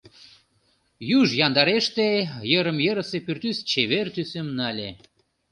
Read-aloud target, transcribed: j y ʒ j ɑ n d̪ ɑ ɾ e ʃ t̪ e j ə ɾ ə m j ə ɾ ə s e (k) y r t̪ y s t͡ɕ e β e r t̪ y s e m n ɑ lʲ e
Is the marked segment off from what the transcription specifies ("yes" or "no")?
yes